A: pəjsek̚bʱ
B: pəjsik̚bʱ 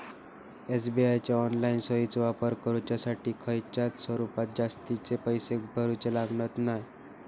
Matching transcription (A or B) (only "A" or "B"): A